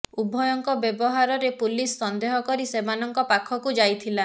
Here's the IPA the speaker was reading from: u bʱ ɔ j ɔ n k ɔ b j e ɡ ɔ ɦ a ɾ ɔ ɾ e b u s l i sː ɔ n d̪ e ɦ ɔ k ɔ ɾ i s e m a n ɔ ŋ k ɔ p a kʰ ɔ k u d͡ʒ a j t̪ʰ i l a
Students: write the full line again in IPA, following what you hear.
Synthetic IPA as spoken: u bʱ ɔ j ɔ ŋ k ɔ b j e b ɔ ɦ a ɾ ɔ ɾ e p u l i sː ɔ n d̪ e ɦ ɔ k ɔ ɾ i s e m a n ɔ ŋ k ɔ p a kʰ ɔ k u d͡ʒ a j t̪ʰ i l a